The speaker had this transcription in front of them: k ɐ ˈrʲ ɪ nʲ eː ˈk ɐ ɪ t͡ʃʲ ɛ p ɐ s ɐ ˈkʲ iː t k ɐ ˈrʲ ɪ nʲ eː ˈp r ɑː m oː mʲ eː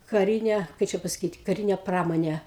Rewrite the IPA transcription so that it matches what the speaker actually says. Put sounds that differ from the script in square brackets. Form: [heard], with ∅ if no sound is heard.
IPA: k ɐ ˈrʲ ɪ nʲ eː ˈk ɐ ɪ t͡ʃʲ ɛ p ɐ s ɐ ˈkʲ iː t k ɐ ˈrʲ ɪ nʲ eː ˈp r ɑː m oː [nʲ] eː